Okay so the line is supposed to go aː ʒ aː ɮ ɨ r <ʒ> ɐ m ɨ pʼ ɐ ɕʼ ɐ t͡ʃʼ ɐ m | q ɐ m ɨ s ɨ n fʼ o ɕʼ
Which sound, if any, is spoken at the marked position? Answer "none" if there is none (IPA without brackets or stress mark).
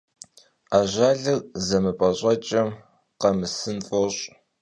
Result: z